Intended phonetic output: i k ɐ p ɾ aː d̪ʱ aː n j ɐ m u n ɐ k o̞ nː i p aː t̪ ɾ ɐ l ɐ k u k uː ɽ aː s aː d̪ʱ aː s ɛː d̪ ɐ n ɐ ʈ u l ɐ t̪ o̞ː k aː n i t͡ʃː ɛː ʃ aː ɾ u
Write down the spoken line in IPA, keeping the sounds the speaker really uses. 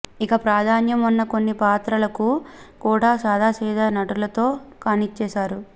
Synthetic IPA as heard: i k ɐ p ɾ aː d̪ʱ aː n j ɐ m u nː ɐ k o̞ nː i p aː t̪ ɾ ɐ l ɐ k u k uː ɽ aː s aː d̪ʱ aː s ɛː d̪ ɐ n ɐ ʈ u l ɐ t̪ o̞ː k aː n i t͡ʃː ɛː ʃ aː ɾ u